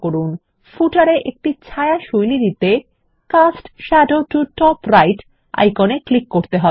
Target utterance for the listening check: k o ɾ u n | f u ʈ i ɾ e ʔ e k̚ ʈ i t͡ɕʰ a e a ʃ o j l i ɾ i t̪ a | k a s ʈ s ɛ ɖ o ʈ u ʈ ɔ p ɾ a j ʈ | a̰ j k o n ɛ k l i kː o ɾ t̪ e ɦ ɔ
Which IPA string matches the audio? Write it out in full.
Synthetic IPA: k o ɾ u n | f u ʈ a ɾ e ʔ e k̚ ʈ i t͡ɕʰ a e a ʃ o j l i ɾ i t̪ e | k a s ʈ ʃ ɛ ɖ o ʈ u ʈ ɔ p ɾ a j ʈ | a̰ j k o n e k l i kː o ɾ t̪ e ɦ ɔ

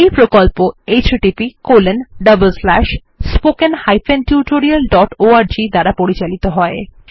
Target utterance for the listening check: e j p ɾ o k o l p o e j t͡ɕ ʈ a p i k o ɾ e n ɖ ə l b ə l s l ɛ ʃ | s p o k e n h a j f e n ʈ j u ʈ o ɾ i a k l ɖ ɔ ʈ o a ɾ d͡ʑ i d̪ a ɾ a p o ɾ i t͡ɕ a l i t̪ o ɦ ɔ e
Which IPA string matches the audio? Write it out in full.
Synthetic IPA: e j p ɾ o k o l p o e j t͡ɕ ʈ i p i k o l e n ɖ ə b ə l s l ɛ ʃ | s p o k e n h a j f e n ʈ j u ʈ o ɾ i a l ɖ ɔ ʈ o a ɾ d͡ʑ i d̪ a ɾ a p o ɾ i t͡ɕ a l i t̪ o ɦ ɔ e

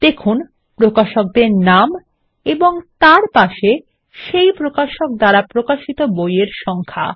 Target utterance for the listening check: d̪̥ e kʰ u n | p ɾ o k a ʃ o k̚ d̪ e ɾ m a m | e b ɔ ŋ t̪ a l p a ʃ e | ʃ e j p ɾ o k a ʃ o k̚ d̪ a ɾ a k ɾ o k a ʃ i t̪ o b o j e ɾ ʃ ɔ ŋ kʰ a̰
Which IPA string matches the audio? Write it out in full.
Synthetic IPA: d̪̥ e kʰ u n | p ɾ o k a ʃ o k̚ d̪ e ɾ n a m | e b o ŋ t̪ a ɾ p a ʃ e | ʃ e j p ɾ o k a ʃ o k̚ d̪ a ɾ a p ɾ o k a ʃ i t̪ o b o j e ɾ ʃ ɔ ŋ kʰ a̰

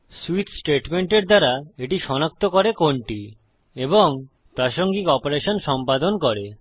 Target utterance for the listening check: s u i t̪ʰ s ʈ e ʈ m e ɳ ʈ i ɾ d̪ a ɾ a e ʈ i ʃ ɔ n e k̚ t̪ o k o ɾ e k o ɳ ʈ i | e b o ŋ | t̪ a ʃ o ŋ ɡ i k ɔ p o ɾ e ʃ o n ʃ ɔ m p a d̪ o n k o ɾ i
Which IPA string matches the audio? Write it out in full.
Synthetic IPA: s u i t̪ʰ s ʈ e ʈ m e ɳ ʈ e ɾ d̪ a ɾ a e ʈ i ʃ ɔ n a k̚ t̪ o k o ɾ e k o ɳ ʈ i | e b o ŋ | t̪ a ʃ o ŋ ɡ i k ɔ p o ɾ e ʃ o n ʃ ɔ m p a d̪ o n k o ɾ e

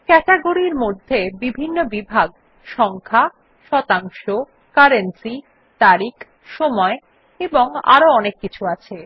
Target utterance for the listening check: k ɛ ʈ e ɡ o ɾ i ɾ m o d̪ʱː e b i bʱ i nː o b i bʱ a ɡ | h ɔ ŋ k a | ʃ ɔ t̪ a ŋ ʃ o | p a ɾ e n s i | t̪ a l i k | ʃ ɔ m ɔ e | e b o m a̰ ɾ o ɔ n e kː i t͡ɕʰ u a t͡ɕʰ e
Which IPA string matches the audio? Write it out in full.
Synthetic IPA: k ɛ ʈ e ɡ o ɾ i ɾ m o d̪ʱː e b i bʱ i nː o b i bʱ a ɡ | ʃ ɔ ŋ kʰ a | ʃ ɔ t̪ a ŋ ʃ o | k a ɾ e n s i | t̪ a ɾ i k | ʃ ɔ m ɔ e | e b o ŋ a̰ ɾ o ɔ n e kː i t͡ɕʰ u a t͡ɕʰ e

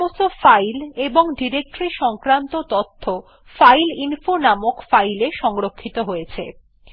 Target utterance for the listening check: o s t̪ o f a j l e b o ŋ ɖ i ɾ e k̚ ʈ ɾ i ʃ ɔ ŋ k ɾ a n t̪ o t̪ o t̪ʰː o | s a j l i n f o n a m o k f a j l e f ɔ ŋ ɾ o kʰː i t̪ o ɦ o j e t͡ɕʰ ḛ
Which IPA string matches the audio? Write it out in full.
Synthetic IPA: o s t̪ o f a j l e b o ŋ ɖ i ɾ e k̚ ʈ ɾ i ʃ ɔ ŋ k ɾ a n t̪ o t̪ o t̪ʰː o | f a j l i n f o n a m o k f a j l e ʃ ɔ ŋ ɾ o kʰː i t̪ o ɦ o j e t͡ɕʰ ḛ

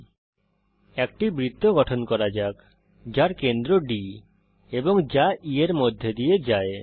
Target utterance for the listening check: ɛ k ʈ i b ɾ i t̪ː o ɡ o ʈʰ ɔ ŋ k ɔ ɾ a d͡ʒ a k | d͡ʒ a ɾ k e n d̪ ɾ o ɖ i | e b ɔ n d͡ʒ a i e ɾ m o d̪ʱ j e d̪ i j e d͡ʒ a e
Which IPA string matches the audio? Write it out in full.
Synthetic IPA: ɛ k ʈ i b ɾ i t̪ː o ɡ ɔ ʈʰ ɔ n k ɔ ɾ a d͡ʒ a k | d͡ʒ a ɾ k e n d̪ ɾ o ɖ i | e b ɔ ŋ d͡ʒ a i e ɾ m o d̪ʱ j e d̪ i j e d͡ʒ a e

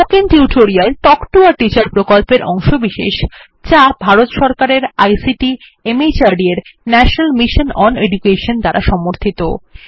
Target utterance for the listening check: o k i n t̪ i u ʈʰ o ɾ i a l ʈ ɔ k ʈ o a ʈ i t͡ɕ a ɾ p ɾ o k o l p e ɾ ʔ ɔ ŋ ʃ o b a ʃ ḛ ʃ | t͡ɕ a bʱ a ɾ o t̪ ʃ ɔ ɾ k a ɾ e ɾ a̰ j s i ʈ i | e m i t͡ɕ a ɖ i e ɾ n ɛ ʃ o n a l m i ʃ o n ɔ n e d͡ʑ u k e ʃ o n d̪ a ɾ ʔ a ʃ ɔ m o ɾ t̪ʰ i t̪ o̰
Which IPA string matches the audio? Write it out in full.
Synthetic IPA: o k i n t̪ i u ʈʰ o ɾ i a l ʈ ɔ k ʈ o a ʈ i t͡ɕ a ɾ p ɾ o k o l p e ɾ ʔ ɔ ŋ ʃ o b i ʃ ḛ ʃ | t͡ɕ a bʱ a ɾ o t̪ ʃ ɔ ɾ k a ɾ e ɾ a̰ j s i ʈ i | e m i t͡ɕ a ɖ i e ɾ n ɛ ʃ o n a l m i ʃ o n ɔ n e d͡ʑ u k e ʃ o n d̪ a ɾ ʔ a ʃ ɔ m o ɾ t̪ʰ i t̪ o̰

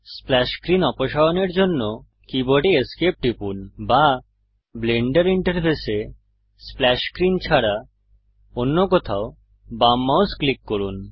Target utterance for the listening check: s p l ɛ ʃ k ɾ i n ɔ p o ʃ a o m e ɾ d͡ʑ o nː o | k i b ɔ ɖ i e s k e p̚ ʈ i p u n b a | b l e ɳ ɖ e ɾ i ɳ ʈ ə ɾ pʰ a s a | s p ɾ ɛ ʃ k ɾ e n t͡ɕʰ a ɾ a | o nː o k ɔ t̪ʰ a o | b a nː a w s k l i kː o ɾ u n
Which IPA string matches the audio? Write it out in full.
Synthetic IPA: s p l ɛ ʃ k ɾ i n ɔ p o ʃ a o n e ɾ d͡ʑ o nː o | k i b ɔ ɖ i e s k e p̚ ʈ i p u n b a | b l e ɳ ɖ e ɾ i ɳ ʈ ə ɾ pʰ e s e | s p l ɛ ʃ k ɾ i n t͡ɕʰ a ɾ a | o nː o k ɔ t̪ʰ a o | b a mː a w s k l i kː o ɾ u n

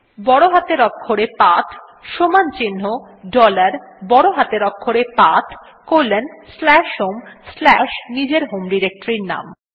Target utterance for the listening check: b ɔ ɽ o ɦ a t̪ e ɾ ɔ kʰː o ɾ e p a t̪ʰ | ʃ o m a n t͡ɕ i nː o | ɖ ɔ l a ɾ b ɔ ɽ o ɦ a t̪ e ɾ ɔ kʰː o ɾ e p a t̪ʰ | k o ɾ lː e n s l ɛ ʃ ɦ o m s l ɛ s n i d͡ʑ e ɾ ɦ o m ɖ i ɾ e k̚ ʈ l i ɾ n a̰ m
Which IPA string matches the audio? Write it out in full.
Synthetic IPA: b ɔ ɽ o ɦ a t̪ e ɾ ɔ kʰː o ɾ e p a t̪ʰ | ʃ o m a n t͡ɕ i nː o | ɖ ɔ l a ɾ b ɔ ɽ o ɦ a t̪ e ɾ ɔ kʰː o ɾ e p a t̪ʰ | k o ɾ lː e n s l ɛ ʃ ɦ o m s l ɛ ʃ n i d͡ʑ e ɾ ɦ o m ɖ i ɾ e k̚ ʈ ɾ i ɾ n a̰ m

